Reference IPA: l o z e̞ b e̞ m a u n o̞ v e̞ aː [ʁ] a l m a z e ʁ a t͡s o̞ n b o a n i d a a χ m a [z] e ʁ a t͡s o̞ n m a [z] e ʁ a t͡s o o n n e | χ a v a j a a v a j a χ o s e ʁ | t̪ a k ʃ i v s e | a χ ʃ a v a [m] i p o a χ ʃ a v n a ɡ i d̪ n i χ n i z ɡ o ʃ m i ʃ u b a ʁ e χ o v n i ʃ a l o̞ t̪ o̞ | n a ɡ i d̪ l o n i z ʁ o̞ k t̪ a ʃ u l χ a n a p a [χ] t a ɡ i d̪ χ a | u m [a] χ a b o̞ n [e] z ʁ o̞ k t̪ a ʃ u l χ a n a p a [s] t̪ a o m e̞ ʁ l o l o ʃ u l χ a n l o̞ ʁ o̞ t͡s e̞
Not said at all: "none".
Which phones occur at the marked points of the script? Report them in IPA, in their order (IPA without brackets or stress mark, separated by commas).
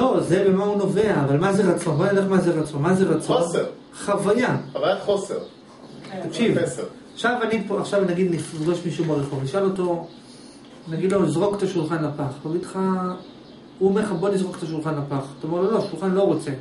v, z, z, n, χ, e, i, χ